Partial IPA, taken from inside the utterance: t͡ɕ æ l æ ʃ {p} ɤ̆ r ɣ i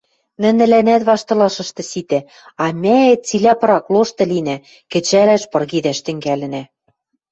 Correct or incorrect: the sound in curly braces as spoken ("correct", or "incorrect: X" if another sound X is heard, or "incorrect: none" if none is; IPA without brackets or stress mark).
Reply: correct